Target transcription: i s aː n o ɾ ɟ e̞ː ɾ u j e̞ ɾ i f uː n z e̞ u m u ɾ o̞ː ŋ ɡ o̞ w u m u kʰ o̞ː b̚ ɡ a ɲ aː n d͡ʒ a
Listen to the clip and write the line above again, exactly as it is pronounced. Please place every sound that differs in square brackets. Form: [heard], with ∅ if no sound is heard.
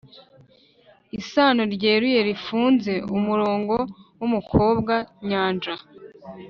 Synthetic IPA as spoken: i s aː n o ɾ ɟ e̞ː ɾ u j e̞ ɾ i f uː n z e̞ u m u ɾ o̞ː ŋ ɡ o̞ w u m u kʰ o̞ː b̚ ɡ a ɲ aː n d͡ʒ a